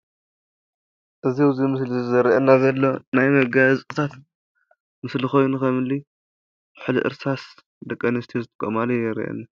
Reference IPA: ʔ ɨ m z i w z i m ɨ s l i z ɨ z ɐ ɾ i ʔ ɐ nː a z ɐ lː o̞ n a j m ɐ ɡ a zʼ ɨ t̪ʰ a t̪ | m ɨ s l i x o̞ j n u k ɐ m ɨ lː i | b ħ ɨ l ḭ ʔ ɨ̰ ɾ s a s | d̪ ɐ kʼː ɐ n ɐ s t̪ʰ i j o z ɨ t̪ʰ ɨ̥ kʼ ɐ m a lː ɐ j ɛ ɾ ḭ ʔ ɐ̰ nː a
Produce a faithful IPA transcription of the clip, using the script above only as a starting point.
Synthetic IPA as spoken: ʔ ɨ z i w z i m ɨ s l i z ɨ z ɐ ɾ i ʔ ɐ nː a z ɐ lː o̞ n a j m ɐ ɡ a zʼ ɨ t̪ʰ a t̪ | m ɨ s l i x o̞ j n u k ɐ m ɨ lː i | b ħ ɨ l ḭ ʔ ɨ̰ ɾ s a s | d̪ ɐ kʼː ɐ n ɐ s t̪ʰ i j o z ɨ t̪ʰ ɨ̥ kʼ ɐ m a l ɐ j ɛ ɾ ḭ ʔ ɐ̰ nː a